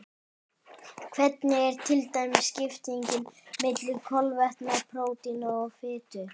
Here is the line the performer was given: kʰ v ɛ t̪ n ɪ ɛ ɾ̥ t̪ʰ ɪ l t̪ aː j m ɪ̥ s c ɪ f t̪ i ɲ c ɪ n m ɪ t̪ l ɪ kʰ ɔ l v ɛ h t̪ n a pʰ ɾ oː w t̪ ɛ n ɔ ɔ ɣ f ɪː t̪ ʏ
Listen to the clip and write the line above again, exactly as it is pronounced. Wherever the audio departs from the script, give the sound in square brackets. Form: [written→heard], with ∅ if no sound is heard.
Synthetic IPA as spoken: kʰ v ɛ t̪ n ɪ ɛ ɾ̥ t̪ʰ ɪ l t̪ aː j m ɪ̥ s c ɪ f t̪ i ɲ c ɪ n m ɪ t̪ l ɪ kʰ ɔ l v ɛ h t̪ n a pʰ ɾ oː w t̪ [ɛ→i] n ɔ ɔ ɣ f ɪː t̪ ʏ